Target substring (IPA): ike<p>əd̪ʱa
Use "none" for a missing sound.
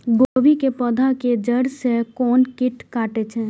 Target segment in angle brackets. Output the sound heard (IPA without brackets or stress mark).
p